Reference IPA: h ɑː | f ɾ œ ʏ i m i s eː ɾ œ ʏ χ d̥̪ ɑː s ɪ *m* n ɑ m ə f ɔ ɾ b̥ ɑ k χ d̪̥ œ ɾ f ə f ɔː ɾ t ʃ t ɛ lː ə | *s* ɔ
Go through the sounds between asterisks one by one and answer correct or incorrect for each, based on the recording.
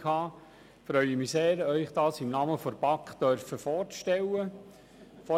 correct, incorrect: f

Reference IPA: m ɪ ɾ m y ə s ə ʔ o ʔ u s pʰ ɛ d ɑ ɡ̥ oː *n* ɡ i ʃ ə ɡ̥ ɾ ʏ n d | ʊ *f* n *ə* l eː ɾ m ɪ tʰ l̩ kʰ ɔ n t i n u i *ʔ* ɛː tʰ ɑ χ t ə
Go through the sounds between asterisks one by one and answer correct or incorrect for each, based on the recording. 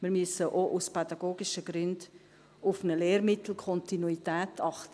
incorrect: none, correct, correct, incorrect: t

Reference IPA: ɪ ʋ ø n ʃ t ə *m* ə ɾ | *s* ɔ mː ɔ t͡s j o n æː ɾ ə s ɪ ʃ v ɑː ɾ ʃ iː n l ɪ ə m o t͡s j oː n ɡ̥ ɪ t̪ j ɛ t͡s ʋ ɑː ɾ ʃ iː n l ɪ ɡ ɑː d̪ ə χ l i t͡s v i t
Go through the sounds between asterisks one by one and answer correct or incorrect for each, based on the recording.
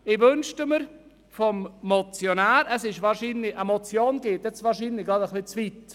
correct, incorrect: f

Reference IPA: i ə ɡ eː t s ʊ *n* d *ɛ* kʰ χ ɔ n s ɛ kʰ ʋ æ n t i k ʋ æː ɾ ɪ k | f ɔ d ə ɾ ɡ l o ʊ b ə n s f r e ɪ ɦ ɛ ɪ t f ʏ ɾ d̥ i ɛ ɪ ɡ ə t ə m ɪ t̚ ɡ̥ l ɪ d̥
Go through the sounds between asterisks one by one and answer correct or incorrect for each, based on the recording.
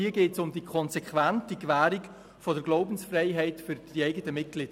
incorrect: m, incorrect: i

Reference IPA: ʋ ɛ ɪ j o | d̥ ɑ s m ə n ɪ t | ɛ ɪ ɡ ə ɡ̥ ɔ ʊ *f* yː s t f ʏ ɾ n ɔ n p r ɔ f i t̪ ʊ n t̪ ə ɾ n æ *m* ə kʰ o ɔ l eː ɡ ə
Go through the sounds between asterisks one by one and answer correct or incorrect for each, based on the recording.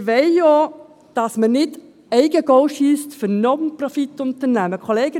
incorrect: ʃ, correct

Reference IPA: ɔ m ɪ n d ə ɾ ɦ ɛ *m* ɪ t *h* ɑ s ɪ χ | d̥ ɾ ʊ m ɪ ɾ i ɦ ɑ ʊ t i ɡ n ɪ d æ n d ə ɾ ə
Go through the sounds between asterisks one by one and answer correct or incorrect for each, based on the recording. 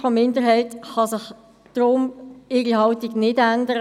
incorrect: none, incorrect: χ

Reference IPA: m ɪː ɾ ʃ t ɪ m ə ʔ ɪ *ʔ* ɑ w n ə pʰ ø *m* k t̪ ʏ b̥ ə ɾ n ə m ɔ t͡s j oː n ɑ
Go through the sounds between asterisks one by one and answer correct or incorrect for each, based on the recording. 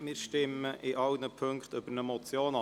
correct, incorrect: ŋ

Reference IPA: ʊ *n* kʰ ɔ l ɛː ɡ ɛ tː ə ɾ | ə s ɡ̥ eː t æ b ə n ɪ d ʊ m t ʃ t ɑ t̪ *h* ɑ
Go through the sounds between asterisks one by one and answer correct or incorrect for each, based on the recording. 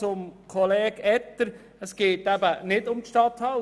incorrect: m, correct

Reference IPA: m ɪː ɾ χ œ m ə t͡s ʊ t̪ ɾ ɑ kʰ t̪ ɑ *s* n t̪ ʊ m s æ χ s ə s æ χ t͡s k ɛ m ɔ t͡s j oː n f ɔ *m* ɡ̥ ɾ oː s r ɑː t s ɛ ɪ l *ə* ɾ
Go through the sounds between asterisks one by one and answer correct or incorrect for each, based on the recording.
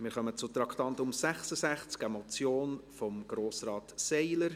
incorrect: none, correct, correct

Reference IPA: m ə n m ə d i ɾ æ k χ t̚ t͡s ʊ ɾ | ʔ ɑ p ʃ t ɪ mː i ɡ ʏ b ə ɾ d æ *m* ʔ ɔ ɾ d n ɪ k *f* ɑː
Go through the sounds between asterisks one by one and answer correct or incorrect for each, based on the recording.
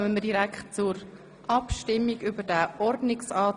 incorrect: none, incorrect: s

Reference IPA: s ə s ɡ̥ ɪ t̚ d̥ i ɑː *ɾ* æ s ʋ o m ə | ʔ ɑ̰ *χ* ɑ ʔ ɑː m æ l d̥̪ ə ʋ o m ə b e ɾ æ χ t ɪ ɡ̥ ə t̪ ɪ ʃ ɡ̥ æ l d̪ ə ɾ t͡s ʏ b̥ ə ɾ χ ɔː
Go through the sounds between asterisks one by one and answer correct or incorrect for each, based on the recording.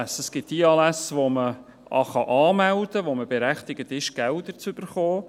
incorrect: l, correct

